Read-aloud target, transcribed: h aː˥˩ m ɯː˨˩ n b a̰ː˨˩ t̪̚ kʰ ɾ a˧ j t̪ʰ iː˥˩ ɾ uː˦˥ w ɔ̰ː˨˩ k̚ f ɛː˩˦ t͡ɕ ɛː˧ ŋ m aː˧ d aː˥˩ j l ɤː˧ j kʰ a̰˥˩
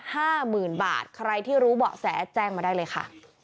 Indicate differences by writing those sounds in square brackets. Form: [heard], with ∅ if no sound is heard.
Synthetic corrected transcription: h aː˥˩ m ɯː˨˩ n b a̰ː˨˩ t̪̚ kʰ ɾ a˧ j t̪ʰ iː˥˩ ɾ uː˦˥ [b] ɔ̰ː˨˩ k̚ [s] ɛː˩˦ t͡ɕ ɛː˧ ŋ m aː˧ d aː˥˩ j l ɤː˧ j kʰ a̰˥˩